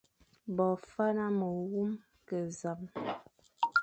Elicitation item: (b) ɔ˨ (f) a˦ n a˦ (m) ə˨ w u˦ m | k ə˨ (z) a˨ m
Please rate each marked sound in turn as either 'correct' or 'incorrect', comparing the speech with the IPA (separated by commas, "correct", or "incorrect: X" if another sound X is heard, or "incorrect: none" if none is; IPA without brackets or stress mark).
correct, correct, correct, correct